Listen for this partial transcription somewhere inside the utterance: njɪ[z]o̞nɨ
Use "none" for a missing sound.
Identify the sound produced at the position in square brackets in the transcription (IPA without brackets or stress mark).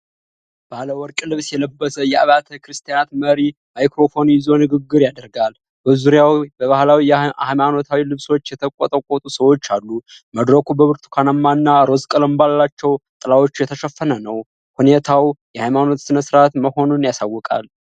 z